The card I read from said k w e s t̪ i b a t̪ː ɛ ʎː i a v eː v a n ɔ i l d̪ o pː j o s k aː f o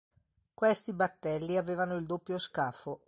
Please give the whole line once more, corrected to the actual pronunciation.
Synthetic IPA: k w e s t̪ i b a t̪ː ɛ lː i a v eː v a n o i l d̪ o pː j o s k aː f o